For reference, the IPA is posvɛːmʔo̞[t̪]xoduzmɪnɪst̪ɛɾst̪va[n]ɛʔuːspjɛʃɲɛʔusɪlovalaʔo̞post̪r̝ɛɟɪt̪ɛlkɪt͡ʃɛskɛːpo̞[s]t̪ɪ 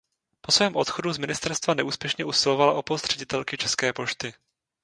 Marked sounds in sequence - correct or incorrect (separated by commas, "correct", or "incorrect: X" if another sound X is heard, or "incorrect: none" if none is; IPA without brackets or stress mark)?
correct, correct, incorrect: ʃ